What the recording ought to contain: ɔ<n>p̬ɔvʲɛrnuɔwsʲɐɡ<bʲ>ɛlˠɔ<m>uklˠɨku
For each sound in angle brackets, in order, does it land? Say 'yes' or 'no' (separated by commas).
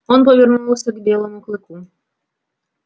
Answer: yes, yes, yes